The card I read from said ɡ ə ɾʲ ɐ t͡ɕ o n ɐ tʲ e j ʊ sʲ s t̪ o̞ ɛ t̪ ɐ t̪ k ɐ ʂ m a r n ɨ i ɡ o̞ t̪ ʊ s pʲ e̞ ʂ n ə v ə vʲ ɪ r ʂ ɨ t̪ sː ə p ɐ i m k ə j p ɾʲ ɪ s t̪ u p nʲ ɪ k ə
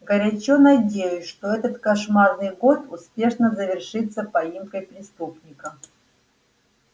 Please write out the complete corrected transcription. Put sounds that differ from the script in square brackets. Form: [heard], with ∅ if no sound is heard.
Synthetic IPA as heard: ɡ ə ɾʲ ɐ t͡ɕ o n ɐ [dʲ] e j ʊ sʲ [ʂ] t̪ o̞ ɛ t̪ [ə] t̪ k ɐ ʂ m a r n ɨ [j] ɡ o̞ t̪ ʊ s pʲ e̞ ʂ n ə [z] ə vʲ ɪ r ʂ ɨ t̪ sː ə p ɐ i m k ə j p ɾʲ ɪ s t̪ u p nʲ ɪ k ə